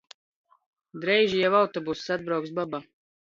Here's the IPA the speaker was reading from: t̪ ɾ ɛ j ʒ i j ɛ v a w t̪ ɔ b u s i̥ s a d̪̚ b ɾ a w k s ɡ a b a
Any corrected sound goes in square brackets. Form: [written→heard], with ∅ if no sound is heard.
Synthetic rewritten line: [t̪→d̪] ɾ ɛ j ʒ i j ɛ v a w t̪ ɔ b u s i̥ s a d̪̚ b ɾ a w k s [ɡ→b] a b a